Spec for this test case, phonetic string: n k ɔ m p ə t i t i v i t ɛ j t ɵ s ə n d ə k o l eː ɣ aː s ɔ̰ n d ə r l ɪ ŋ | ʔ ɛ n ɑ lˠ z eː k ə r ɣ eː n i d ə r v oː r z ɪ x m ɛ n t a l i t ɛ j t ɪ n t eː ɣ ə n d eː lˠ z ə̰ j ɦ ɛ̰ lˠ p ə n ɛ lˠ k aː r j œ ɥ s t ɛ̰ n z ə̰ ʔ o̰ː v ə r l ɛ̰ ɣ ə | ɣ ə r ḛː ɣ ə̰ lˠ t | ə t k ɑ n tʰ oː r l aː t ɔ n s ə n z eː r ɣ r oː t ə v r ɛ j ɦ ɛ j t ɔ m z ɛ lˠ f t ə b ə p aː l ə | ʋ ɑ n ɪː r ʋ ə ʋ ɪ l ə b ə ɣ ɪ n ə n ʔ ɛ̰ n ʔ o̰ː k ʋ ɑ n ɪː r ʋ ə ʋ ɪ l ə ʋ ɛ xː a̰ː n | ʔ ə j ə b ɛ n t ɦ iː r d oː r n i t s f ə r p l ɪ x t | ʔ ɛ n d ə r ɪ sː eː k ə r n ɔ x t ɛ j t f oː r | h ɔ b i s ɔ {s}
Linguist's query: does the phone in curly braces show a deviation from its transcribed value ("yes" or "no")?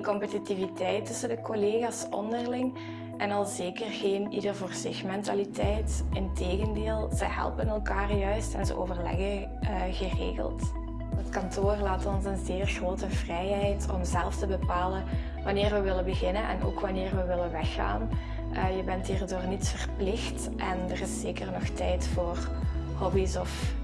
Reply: yes